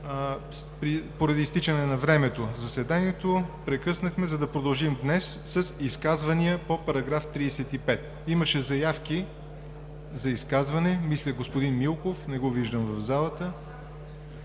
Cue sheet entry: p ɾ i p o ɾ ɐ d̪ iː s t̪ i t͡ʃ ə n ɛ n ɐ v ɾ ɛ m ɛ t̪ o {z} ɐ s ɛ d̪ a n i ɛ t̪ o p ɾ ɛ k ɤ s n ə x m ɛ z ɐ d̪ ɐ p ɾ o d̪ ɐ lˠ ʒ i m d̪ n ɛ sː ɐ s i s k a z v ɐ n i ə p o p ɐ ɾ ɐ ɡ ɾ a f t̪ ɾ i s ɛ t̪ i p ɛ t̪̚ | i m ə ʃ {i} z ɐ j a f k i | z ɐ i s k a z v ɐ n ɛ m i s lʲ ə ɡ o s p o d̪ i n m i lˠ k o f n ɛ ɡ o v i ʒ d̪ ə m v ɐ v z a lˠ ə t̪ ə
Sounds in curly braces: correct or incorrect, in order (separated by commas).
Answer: correct, incorrect